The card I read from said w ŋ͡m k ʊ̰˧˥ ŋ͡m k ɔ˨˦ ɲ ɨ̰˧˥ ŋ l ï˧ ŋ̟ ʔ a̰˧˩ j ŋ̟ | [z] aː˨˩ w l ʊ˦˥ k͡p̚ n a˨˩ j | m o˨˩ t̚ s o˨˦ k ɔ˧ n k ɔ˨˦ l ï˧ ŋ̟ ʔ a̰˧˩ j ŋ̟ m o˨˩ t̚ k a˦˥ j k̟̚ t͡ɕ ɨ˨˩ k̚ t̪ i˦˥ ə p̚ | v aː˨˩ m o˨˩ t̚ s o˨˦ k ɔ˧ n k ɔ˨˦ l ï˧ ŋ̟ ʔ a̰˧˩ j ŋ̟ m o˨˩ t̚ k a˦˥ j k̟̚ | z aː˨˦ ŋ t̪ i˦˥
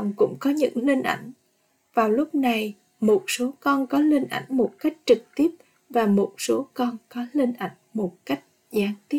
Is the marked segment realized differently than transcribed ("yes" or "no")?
yes